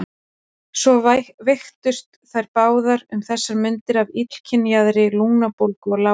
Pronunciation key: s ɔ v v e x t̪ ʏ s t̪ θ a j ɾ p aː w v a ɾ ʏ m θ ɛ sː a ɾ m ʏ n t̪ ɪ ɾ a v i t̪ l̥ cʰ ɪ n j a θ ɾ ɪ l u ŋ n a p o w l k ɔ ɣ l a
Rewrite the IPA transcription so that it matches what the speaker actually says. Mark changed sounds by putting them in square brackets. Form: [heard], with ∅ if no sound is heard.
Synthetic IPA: s ɔ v v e x t̪ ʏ s t̪ θ a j ɾ p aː w [ð] a ɾ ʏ m θ ɛ sː a ɾ m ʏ n t̪ ɪ ɾ a v i t̪ l̥ cʰ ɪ n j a [ð] ɾ ɪ l u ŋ n a p o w l k ɔ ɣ l a